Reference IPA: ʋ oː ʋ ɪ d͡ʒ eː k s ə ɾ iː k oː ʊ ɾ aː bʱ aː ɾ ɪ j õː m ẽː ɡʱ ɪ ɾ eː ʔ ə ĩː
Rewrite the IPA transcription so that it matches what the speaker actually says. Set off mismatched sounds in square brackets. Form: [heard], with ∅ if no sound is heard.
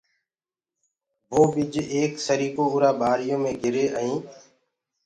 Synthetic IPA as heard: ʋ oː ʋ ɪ d͡ʒ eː k s ə ɾ iː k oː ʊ ɾ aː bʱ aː ɾ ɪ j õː m ẽː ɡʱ ɪ ɾ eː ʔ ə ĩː